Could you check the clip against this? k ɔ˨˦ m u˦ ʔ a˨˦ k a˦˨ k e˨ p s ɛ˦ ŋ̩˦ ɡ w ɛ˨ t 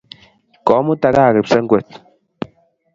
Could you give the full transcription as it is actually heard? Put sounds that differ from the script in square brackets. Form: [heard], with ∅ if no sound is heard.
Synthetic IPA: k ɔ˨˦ m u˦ [t] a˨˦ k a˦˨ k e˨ p s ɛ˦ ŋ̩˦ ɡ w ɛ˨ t